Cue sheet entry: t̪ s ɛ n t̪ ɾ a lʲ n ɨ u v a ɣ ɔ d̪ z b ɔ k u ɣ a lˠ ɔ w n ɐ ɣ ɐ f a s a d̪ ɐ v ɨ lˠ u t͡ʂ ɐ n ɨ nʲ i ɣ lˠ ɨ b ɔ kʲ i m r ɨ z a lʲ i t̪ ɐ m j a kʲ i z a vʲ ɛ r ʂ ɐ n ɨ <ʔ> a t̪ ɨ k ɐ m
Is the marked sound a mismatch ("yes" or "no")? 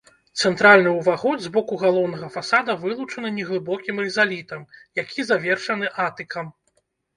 no